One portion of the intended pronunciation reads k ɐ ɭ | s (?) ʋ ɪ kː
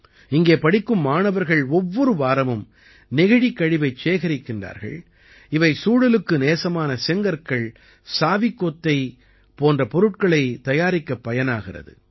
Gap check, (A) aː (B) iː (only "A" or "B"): A